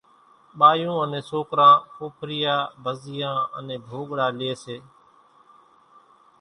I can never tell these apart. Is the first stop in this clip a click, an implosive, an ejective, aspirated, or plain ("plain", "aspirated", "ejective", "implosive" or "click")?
implosive